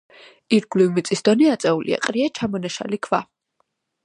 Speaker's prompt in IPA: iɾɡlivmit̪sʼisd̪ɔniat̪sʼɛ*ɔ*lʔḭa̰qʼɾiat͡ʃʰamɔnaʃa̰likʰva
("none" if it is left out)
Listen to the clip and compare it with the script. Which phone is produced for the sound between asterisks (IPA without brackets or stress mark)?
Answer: u